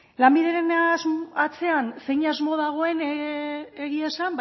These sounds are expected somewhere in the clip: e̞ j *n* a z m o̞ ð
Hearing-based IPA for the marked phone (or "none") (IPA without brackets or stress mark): ɲ